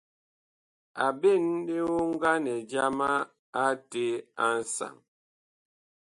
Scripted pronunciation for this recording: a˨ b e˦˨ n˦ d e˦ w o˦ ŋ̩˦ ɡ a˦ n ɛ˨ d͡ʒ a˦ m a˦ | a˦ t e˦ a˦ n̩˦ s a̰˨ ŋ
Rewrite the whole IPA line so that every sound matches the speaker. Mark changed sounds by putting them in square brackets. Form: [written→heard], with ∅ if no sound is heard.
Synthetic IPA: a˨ b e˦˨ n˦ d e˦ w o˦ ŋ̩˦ ɡ a˦ n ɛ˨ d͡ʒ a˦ m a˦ | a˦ t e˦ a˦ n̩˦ s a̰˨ ŋ

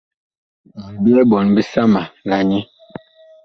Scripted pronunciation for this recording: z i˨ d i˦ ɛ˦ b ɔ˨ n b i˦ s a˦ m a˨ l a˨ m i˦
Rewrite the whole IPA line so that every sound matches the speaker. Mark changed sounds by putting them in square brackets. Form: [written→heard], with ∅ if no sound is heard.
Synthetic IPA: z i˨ [d→b] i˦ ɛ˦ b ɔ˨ n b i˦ s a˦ m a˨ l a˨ [m→ɲ] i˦

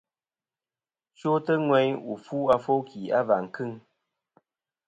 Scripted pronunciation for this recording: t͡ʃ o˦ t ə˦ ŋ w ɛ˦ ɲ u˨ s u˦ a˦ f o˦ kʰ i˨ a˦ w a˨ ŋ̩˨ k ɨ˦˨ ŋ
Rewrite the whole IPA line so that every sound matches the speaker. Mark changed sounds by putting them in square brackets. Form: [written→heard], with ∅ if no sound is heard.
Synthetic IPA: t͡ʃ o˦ t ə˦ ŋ w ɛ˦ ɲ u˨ [s→f] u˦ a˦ f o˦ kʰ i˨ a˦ [w→v] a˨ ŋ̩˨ k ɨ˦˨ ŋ

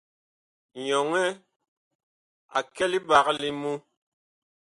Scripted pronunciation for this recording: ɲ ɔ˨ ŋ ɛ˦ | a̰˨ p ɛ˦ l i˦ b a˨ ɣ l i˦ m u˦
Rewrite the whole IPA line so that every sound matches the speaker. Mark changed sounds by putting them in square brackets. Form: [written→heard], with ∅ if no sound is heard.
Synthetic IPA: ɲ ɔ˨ ŋ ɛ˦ | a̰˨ [p→k] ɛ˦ l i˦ b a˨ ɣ l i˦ m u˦

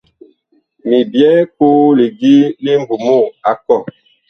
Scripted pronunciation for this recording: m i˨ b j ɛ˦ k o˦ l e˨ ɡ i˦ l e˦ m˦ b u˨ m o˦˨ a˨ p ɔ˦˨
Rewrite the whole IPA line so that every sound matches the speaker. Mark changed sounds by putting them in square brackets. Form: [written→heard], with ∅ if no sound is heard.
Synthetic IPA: m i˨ b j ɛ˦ k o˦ l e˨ ɡ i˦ l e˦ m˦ b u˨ m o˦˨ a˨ [p→k] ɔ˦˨

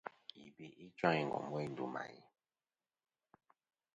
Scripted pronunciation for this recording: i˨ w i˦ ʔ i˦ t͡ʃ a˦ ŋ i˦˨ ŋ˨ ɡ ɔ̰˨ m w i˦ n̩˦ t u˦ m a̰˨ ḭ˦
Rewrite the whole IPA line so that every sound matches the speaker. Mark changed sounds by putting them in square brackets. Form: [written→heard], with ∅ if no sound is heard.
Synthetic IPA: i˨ [w→b] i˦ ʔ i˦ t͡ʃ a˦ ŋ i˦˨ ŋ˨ ɡ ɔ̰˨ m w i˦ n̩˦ [t→d] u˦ m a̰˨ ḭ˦

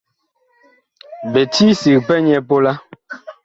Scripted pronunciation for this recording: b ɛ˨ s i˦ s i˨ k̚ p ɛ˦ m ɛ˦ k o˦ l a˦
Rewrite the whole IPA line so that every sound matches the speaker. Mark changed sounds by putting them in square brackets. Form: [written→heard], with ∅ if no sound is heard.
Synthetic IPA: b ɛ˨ [s→t] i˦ s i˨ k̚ p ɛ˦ [m→ɲ] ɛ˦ [k→p] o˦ l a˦

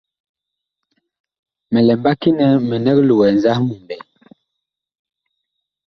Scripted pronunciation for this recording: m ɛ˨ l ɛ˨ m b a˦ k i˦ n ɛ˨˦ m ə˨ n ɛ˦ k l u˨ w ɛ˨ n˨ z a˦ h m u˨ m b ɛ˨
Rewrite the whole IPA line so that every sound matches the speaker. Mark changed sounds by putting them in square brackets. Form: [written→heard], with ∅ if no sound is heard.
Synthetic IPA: m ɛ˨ l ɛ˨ m b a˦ k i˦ n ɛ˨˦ m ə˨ n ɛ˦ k l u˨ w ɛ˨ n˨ z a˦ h m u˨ m b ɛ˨

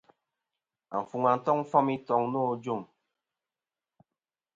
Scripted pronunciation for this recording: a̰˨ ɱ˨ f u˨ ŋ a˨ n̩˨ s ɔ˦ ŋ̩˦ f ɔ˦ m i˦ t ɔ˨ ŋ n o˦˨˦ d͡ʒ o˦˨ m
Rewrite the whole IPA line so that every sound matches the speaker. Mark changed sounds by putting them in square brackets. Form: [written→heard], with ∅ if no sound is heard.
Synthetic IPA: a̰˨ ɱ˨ f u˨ ŋ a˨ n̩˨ [s→t] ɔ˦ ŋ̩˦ f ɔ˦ m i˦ t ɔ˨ ŋ n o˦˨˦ d͡ʒ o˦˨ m

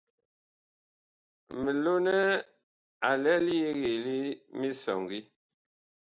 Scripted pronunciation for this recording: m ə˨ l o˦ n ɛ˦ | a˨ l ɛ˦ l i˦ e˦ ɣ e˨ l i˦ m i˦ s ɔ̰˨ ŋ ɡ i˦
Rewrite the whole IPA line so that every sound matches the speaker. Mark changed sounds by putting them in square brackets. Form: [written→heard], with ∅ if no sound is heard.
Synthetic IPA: m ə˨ l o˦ n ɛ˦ | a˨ l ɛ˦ l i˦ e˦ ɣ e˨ l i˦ m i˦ s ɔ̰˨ ŋ ɡ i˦

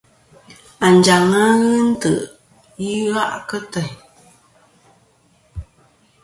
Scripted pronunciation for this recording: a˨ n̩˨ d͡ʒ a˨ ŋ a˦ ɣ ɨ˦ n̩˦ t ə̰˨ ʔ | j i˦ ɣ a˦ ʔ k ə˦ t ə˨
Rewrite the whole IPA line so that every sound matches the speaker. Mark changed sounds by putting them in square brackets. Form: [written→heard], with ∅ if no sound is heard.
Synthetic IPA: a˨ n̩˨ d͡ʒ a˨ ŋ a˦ ɣ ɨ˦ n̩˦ t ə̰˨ ʔ | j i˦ ɣ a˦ ʔ k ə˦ t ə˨

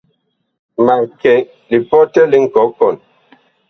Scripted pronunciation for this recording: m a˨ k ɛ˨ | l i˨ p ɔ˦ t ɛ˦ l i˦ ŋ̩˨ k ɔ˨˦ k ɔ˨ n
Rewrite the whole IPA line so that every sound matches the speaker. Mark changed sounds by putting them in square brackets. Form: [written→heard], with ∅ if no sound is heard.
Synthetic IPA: m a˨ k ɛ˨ | l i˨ p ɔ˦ t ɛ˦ l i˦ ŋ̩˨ k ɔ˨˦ k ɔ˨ n

